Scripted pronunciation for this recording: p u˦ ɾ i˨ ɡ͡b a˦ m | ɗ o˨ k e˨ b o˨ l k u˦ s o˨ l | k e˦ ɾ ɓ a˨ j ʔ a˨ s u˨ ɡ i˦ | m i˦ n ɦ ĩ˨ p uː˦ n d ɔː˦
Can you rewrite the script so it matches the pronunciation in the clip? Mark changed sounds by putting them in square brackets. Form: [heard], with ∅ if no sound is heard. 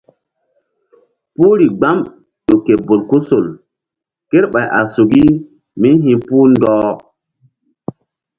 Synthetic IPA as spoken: p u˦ ɾ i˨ ɡ͡b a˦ m | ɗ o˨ k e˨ b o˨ l k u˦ s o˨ l | k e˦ ɾ ɓ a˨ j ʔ a˨ s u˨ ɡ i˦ | m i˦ n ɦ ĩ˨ p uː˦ n d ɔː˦